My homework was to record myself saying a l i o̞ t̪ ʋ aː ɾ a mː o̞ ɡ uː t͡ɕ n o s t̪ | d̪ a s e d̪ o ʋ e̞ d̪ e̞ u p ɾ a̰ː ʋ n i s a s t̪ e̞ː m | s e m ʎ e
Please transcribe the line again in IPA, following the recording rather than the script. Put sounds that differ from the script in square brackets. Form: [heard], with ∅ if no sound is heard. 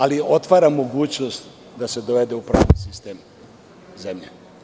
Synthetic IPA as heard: a l i o̞ t̪ ʋ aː ɾ a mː o̞ ɡ uː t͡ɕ n o s t̪ | d̪ a s e d̪ o ʋ e̞ d̪ e̞ u p ɾ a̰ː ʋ n i s [i] s t̪ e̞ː m | [z] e m ʎ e